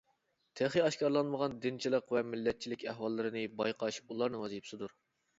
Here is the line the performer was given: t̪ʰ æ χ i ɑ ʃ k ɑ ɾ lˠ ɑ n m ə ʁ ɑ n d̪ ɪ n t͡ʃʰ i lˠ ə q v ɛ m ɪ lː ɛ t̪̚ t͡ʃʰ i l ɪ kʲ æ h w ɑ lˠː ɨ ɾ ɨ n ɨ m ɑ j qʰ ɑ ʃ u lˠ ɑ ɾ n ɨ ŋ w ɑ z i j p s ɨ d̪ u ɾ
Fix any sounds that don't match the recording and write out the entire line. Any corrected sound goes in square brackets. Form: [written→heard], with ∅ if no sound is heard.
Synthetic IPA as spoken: t̪ʰ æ χ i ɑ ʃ k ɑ ɾ lˠ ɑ n m ə ʁ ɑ n d̪ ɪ n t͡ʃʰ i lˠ ə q v ɛ m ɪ lː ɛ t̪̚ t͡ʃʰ i l ɪ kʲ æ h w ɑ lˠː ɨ ɾ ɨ n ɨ [m→b] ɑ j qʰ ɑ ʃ u lˠ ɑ ɾ n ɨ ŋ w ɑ z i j p s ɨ d̪ u ɾ

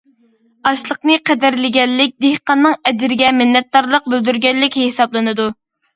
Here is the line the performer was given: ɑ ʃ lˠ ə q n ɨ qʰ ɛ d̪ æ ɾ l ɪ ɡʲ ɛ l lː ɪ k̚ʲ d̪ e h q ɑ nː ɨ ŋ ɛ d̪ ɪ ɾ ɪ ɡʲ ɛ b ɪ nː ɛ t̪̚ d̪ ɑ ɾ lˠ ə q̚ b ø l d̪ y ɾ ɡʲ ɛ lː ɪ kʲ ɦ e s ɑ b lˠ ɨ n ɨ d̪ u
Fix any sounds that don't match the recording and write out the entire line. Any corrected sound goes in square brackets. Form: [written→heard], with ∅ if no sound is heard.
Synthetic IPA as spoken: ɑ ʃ lˠ ə q n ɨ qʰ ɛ d̪ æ ɾ l ɪ ɡʲ ɛ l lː ɪ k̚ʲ d̪ e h q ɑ nː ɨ ŋ ɛ d̪ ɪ ɾ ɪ ɡʲ ɛ [b→m] ɪ nː ɛ t̪̚ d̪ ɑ ɾ lˠ ə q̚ b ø l d̪ y ɾ ɡʲ ɛ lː ɪ kʲ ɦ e s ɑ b lˠ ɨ n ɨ d̪ u

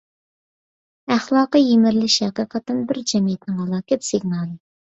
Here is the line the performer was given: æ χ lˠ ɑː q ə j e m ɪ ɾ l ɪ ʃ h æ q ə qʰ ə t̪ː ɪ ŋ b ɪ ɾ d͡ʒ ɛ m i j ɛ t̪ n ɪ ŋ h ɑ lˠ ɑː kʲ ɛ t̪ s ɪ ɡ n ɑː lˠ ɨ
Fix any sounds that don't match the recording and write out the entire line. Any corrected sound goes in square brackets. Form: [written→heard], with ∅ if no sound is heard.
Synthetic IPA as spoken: æ χ lˠ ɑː q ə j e m ɪ ɾ l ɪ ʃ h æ q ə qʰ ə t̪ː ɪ [ŋ→n] b ɪ ɾ d͡ʒ ɛ m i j ɛ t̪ n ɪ ŋ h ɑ lˠ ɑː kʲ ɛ t̪ s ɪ ɡ n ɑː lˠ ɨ

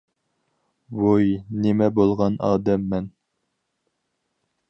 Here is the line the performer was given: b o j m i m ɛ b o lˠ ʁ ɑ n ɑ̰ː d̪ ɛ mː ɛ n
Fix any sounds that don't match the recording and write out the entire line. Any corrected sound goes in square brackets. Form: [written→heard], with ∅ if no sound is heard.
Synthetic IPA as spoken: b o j [m→n] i m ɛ b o lˠ ʁ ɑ n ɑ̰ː d̪ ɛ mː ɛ n

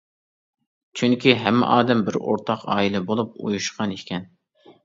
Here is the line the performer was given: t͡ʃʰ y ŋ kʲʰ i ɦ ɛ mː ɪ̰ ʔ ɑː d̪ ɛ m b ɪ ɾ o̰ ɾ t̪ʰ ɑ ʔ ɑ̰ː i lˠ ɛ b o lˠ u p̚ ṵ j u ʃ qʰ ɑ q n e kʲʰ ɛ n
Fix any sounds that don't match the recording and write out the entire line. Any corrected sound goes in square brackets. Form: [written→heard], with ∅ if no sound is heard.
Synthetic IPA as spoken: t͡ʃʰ y ŋ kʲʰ i ɦ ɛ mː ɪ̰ ʔ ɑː d̪ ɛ m b ɪ ɾ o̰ ɾ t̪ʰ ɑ [ʔ→q] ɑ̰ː i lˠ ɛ b o lˠ u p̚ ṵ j u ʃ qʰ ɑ [q→∅] n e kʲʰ ɛ n

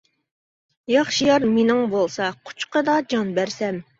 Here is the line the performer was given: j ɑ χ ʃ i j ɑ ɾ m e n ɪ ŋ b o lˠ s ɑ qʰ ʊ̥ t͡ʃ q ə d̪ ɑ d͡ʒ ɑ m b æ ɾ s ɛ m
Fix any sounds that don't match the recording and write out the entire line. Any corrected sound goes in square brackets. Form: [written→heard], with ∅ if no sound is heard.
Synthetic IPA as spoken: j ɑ χ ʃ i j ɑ ɾ m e n ɪ ŋ b o lˠ s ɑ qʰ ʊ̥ t͡ʃ q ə d̪ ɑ d͡ʒ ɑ [m→n] b æ ɾ s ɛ m

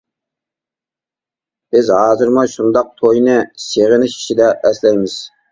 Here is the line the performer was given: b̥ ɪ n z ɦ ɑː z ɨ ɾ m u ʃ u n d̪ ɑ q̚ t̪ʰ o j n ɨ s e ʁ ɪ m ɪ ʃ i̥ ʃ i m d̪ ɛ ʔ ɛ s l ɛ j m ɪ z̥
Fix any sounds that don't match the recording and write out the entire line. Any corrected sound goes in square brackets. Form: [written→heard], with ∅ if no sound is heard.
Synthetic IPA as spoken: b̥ ɪ [n→∅] z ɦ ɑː z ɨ ɾ m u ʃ u n d̪ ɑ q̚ t̪ʰ o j n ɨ s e ʁ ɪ [m→n] ɪ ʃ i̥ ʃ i [m→∅] d̪ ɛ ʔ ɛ s l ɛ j m ɪ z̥

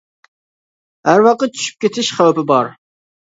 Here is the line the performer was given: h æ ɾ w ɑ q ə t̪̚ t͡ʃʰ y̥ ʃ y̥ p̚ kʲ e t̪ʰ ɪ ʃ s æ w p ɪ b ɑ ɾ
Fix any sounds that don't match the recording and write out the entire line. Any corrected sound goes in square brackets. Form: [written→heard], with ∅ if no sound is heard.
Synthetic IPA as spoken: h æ ɾ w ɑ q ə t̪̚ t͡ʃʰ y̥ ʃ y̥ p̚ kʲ e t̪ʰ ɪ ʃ [s→χ] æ w p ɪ b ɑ ɾ

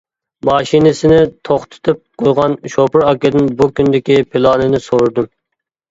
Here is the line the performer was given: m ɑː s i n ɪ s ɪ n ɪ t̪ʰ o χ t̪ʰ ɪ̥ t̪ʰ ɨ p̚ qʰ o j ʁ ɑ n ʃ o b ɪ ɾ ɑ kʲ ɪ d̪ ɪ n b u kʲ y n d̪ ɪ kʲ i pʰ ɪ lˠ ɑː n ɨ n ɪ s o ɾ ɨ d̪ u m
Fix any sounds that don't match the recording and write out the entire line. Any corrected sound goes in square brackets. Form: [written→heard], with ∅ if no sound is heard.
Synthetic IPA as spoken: m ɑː [s→ʃ] i n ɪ s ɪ n ɪ t̪ʰ o χ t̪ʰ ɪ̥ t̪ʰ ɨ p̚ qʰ o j ʁ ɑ n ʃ o [b→p] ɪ ɾ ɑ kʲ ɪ d̪ ɪ n b u kʲ y n d̪ ɪ kʲ i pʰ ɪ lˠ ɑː n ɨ n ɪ s o ɾ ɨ d̪ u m

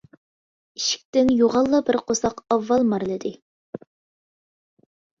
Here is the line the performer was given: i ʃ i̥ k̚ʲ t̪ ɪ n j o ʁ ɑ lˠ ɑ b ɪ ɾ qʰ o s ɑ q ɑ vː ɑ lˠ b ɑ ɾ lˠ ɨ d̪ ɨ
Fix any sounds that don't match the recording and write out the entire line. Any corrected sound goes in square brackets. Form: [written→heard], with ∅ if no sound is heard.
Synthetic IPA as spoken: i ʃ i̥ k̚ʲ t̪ ɪ n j o ʁ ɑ [lˠ→lˠː] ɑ b ɪ ɾ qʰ o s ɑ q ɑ vː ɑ lˠ [b→m] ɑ ɾ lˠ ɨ d̪ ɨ

